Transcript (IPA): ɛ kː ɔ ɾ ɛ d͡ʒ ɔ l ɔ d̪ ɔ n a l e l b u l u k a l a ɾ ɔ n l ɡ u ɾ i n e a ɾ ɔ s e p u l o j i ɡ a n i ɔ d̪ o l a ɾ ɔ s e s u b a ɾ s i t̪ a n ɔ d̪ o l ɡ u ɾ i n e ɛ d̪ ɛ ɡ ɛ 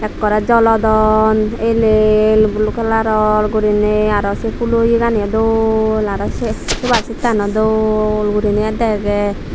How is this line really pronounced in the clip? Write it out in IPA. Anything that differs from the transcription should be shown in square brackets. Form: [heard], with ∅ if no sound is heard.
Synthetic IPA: ɛ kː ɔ ɾ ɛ d͡ʒ ɔ l ɔ d̪ ɔ n [e] l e l b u l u k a l a ɾ ɔ [∅] l ɡ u ɾ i n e a ɾ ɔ s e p u l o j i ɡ a n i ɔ d̪ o l a ɾ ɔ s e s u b a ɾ s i t̪ a n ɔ d̪ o l ɡ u ɾ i n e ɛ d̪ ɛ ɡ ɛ

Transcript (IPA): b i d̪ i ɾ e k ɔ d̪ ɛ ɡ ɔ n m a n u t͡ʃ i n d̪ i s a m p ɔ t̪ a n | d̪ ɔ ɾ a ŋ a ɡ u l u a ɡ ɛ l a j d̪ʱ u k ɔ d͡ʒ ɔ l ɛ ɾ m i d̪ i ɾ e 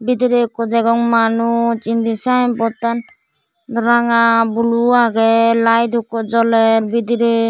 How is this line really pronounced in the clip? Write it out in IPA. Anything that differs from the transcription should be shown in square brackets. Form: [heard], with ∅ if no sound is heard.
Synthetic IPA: b i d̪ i ɾ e k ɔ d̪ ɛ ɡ ɔ [ŋ] m a n u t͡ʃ i n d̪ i s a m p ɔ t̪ a n | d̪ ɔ ɾ a ŋ a [b] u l u a ɡ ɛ l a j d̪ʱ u k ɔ d͡ʒ ɔ l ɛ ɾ [b] i d̪ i ɾ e

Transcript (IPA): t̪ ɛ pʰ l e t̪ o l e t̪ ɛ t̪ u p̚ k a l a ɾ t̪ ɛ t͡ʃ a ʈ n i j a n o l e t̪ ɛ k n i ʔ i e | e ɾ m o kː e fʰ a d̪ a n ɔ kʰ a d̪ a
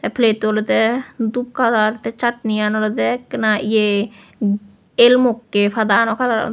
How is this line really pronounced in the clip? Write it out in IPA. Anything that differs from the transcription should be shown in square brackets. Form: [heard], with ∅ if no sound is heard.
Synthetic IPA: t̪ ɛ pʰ l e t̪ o l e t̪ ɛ [d̪] u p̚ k a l a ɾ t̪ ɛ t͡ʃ a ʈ n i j a n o l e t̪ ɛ k n [a] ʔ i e | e [l] m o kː e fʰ a d̪ a n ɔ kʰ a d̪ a

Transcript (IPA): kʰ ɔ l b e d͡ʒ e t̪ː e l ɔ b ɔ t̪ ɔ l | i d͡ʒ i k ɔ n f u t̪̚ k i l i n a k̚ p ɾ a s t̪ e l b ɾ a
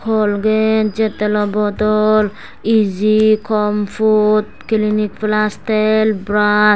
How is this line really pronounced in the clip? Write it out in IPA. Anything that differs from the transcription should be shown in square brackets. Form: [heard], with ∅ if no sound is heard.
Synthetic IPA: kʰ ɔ l [ɡ] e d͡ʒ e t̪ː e l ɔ b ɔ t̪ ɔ l | i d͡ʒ i k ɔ [m] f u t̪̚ k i l i n [i] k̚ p [l] a s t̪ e l b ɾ a

